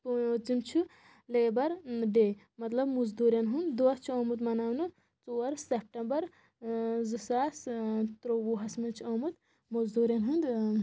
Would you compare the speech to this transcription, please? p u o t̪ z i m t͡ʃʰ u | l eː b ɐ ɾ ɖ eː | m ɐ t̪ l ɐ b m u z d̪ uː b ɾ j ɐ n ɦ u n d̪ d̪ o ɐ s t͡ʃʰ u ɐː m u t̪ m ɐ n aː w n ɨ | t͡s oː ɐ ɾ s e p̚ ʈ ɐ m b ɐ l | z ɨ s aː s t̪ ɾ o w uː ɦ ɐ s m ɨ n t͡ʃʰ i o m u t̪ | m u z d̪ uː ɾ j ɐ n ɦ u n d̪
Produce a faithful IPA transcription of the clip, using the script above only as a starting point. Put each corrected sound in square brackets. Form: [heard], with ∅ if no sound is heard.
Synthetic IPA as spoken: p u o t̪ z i m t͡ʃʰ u | l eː b ɐ ɾ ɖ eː | m ɐ t̪ l ɐ b m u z d̪ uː [∅] ɾ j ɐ n ɦ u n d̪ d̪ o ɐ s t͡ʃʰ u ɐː m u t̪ m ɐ n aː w n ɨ | t͡s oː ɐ ɾ s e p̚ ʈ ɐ m b ɐ [ɾ] | z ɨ s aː s t̪ ɾ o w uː ɦ ɐ s m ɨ n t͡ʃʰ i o m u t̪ | m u z d̪ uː ɾ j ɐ n ɦ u n d̪